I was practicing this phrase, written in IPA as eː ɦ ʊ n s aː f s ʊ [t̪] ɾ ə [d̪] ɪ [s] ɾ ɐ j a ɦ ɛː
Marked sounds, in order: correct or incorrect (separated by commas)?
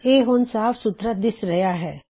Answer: correct, correct, correct